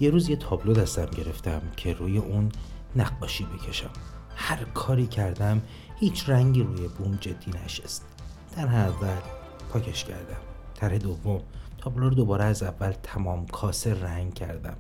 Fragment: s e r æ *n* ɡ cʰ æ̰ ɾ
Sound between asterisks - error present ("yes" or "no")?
yes